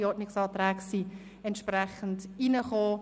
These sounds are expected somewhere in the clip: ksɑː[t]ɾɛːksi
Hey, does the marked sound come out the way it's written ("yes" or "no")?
yes